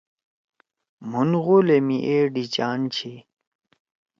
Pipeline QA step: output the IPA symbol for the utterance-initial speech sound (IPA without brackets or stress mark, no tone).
m